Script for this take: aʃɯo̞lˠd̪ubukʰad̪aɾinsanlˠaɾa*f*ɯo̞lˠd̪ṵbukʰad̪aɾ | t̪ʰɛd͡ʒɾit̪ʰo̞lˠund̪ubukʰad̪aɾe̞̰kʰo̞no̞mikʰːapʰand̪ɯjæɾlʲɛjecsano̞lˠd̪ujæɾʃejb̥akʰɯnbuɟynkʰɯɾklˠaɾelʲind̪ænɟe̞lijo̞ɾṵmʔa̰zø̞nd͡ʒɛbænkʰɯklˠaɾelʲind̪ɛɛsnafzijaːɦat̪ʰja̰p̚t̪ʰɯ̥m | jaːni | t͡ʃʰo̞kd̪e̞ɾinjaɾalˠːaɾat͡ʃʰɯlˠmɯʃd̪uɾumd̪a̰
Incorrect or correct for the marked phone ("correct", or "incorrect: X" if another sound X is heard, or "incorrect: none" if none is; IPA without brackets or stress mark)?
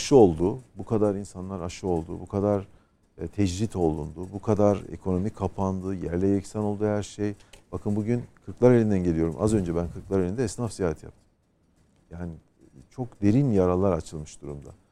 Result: incorrect: ʃ